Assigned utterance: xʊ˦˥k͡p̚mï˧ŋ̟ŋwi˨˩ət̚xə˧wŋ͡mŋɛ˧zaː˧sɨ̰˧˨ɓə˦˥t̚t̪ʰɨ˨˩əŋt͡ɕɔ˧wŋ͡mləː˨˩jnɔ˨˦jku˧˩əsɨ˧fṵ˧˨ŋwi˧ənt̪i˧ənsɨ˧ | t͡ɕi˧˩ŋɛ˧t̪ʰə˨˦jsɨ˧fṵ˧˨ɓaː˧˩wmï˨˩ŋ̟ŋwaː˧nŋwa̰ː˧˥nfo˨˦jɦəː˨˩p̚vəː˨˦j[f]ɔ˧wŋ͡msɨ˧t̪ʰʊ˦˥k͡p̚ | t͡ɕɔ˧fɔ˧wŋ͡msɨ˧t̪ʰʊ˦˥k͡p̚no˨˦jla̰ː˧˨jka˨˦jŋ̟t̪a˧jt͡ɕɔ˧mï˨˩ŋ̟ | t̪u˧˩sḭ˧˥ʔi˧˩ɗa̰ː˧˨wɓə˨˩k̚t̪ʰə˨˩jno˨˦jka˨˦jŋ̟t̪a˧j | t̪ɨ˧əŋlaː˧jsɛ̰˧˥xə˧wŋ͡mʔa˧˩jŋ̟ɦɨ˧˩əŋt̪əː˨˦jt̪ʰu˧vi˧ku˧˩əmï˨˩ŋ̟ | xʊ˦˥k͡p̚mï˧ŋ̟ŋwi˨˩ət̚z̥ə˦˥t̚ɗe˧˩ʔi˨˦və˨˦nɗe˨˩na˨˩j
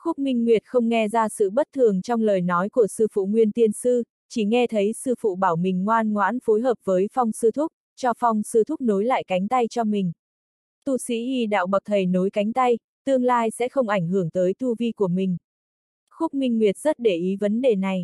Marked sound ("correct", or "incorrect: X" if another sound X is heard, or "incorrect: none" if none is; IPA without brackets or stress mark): correct